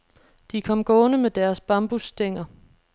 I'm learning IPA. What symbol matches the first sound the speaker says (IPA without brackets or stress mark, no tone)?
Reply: d̥